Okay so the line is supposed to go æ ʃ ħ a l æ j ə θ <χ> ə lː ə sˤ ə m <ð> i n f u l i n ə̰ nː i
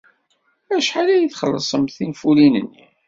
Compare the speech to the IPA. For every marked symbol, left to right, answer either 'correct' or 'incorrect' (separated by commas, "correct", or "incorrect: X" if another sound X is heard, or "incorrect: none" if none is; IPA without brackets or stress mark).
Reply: correct, incorrect: θ